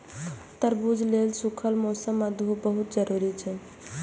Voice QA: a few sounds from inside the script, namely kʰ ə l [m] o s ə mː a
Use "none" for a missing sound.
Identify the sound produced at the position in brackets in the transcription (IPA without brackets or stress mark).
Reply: m